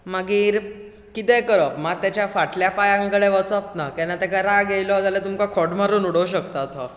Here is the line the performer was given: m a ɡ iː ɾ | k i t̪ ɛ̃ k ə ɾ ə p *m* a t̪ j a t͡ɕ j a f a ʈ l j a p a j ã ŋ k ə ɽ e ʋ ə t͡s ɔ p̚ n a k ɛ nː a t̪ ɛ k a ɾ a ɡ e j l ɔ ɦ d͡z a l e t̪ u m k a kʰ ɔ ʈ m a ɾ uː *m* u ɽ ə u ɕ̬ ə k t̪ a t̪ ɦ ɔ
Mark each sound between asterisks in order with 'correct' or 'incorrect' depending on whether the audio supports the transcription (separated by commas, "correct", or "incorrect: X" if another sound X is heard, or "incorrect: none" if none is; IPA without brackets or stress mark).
correct, incorrect: n